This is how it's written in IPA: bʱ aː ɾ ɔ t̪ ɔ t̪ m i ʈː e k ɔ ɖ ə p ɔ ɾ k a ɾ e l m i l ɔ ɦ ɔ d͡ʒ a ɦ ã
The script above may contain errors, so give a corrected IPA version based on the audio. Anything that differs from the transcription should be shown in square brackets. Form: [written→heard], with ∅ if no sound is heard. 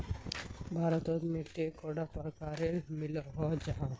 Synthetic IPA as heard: bʱ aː ɾ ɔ t̪ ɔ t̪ m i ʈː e k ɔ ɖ [ə→a] p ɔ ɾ k a ɾ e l m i l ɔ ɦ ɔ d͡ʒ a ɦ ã